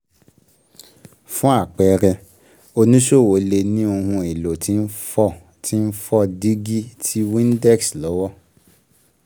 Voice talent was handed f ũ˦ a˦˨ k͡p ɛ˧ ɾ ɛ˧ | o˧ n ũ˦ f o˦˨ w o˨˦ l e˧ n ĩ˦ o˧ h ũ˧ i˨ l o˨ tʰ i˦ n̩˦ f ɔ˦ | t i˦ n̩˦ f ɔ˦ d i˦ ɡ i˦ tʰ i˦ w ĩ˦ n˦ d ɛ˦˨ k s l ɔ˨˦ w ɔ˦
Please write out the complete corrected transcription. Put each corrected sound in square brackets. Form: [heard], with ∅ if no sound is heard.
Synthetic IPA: f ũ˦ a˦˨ k͡p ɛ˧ ɾ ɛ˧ | o˧ n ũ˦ [ʃ] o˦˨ w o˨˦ l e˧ n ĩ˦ o˧ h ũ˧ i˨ l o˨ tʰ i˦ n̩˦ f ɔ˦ | t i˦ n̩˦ f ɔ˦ d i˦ ɡ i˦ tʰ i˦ w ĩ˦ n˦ d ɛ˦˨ k s l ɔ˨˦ w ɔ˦